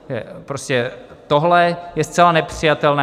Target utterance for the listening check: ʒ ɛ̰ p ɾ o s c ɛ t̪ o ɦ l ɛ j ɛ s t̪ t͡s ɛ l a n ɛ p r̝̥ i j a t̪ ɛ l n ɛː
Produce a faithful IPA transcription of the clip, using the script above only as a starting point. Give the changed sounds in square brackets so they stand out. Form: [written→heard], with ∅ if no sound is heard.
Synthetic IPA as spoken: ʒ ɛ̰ p ɾ o s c ɛ t̪ o ɦ l ɛ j ɛ s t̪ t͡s ɛ l a n ɛ p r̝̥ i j a t̪ ɛ l n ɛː